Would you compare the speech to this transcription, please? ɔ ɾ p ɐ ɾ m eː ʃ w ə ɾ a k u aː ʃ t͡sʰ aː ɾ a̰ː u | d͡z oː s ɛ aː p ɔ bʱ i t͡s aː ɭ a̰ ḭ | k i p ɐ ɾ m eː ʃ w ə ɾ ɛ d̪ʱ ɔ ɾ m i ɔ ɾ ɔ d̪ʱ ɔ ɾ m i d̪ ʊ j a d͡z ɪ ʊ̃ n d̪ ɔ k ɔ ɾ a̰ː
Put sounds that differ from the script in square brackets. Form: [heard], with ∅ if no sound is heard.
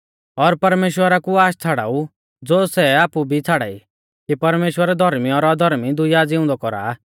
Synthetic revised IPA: ɔ ɾ p ɐ ɾ m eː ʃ w ə ɾ a k u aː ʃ t͡sʰ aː [ɽ] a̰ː u | d͡z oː s ɛ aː p [u] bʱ i [t͡sʰ] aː [ɽ] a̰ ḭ | k i p ɐ ɾ m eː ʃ w ə ɾ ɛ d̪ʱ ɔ ɾ m i ɔ ɾ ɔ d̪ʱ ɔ ɾ m i d̪ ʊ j a d͡z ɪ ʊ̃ n d̪ ɔ k ɔ ɾ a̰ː